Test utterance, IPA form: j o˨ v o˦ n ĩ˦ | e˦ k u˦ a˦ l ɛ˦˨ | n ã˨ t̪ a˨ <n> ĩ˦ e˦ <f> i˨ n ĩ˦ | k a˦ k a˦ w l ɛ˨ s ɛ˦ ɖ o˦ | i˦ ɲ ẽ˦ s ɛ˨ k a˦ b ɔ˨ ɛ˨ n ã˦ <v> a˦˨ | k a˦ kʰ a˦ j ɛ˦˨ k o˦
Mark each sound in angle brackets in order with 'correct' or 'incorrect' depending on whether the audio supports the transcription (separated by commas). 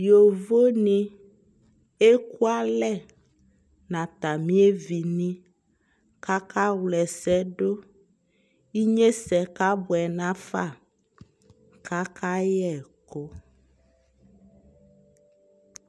incorrect, incorrect, incorrect